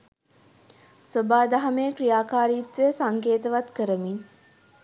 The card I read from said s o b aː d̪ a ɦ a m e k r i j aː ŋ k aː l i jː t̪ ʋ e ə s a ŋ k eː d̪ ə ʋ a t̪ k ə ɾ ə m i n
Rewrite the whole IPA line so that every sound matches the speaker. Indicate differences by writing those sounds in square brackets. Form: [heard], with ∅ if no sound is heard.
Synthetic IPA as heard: s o b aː d̪ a ɦ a m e k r i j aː [∅] k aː [ɾ] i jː t̪ ʋ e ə s a ŋ k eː [t̪] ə ʋ a t̪ k ə ɾ ə m i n